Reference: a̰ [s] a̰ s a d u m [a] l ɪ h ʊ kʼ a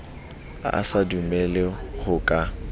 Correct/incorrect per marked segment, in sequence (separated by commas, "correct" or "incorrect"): incorrect, incorrect